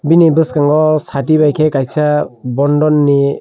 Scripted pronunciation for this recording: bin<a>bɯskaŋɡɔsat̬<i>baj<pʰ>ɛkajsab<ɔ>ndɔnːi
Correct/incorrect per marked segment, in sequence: incorrect: i, correct, incorrect: kʰ, correct

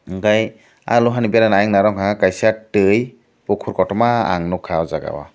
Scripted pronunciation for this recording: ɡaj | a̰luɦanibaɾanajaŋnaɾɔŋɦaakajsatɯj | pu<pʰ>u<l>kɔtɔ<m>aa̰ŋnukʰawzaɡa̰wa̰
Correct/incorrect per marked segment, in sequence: incorrect: kʰ, incorrect: ɾ, correct

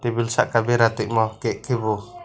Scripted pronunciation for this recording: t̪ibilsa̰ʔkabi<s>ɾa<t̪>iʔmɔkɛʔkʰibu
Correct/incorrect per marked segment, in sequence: incorrect: none, correct

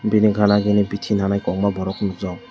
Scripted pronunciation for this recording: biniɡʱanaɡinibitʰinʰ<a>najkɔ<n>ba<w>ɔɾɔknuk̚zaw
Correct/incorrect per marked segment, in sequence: correct, incorrect: ŋ, incorrect: b

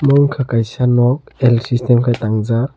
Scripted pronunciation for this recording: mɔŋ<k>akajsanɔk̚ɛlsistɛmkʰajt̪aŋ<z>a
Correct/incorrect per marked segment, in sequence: incorrect: kʰ, correct

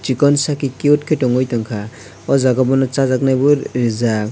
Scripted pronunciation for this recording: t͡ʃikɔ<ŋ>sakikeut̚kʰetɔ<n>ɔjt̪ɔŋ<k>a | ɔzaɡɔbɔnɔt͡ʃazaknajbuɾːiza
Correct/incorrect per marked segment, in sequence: incorrect: n, incorrect: ŋ, incorrect: kʰ

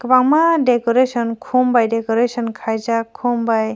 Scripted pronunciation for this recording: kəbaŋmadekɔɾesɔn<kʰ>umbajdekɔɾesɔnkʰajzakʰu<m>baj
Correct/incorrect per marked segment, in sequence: correct, correct

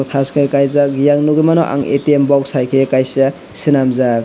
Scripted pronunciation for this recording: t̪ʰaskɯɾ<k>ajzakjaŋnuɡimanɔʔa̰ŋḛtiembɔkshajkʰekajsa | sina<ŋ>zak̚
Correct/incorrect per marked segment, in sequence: correct, incorrect: m

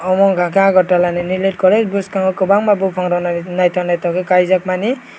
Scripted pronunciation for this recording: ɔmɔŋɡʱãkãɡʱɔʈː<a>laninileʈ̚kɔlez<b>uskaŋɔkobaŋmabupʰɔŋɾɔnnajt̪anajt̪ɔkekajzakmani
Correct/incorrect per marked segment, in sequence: correct, correct

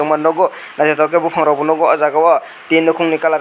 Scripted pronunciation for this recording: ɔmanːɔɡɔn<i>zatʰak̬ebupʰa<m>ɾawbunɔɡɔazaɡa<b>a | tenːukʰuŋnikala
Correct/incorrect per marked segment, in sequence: incorrect: a, incorrect: ŋ, incorrect: w

